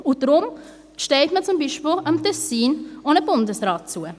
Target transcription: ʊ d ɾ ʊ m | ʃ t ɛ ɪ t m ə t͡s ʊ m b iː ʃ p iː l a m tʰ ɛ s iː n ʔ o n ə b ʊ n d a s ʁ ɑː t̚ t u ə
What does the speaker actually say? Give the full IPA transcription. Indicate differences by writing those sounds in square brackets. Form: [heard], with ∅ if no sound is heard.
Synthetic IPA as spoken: ʊ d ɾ ʊ m | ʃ t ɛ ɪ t m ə t͡s ʊ m b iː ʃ p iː l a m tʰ ɛ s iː n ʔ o n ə b ʊ n d [ə] s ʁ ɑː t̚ [t͡s] u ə